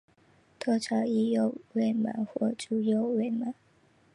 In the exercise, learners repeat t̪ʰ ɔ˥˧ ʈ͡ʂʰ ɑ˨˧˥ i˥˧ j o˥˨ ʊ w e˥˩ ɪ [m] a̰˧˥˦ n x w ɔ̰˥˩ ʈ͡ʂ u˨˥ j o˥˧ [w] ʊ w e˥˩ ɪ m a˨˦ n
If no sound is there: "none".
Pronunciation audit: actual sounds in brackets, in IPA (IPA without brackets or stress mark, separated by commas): m, none